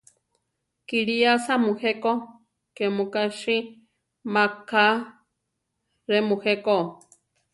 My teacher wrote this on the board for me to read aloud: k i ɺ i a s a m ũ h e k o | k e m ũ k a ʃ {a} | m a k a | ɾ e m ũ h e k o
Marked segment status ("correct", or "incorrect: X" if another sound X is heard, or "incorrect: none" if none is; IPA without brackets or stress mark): incorrect: i